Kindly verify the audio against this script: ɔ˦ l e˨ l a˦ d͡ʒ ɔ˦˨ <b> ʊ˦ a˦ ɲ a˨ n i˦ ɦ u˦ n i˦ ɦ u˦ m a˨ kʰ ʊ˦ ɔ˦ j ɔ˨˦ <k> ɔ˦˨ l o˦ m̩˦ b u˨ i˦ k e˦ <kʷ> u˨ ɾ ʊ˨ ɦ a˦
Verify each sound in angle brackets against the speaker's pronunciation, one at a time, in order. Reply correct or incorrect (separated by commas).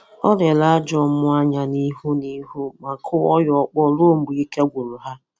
incorrect, incorrect, incorrect